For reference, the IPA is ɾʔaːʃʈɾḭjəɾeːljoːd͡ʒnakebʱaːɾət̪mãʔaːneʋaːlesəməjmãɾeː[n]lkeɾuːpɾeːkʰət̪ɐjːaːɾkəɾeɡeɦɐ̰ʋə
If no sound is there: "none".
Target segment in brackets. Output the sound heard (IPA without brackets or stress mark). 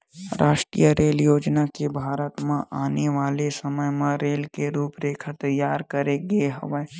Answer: none